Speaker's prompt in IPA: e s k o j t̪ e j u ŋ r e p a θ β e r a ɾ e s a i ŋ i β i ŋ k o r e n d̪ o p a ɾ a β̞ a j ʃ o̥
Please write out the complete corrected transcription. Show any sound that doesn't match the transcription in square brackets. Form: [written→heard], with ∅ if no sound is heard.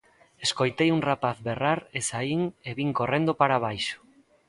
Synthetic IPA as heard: e s k o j t̪ e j u ŋ r [e→a] p a θ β e r a ɾ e s a i ŋ [i→e] β i ŋ k o r e n d̪ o p a ɾ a β̞ a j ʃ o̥